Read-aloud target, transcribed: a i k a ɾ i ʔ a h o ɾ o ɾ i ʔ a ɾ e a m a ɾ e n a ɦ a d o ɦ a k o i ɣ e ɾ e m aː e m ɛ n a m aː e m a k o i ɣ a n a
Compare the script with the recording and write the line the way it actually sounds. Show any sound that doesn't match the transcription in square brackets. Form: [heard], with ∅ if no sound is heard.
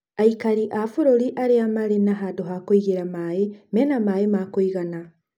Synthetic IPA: a i k a ɾ i ʔ a [f] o ɾ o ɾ i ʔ a ɾ e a m a ɾ e n a ɦ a d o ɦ a k o i ɣ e ɾ [a] m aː e m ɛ n a m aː e m a k o i ɣ a n a